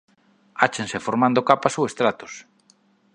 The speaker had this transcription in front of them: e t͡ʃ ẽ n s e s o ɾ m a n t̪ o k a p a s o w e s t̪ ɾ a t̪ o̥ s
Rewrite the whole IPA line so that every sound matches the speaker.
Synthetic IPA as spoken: a t͡ʃ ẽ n s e f o ɾ m a n d̪ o k a p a s o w e s t̪ ɾ a t̪ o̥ s